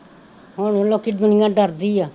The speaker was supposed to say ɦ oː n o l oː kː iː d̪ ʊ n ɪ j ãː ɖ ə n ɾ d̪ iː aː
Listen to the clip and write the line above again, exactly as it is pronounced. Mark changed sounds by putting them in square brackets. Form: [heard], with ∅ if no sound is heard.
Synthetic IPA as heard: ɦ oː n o l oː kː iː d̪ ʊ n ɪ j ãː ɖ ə [∅] ɾ d̪ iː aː